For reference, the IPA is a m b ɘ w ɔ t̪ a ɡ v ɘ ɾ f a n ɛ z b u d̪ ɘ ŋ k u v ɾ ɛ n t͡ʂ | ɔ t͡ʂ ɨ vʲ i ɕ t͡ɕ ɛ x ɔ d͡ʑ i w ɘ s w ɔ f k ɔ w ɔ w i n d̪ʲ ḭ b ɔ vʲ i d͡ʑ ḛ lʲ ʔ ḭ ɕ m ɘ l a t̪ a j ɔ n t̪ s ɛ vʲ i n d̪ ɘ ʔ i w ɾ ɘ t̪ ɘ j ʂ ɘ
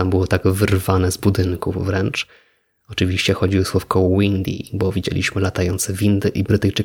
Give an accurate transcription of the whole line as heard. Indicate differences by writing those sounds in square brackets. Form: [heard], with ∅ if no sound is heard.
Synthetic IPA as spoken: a m b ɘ w ɔ t̪ a ɡ v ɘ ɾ [v] a n ɛ z b u d̪ ɘ ŋ k u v ɾ ɛ n t͡ʂ | ɔ t͡ʂ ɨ vʲ i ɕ t͡ɕ ɛ x ɔ d͡ʑ i w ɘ s w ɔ f k ɔ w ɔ w i n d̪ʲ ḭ b ɔ vʲ i d͡ʑ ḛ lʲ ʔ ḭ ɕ m ɘ l a t̪ a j ɔ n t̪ s ɛ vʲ i n d̪ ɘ ʔ i [b] ɾ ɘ t̪ ɘ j [t͡ʂ] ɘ